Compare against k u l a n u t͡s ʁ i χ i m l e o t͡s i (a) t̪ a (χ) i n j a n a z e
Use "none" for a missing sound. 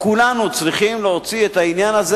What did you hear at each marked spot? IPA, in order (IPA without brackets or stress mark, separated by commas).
e, none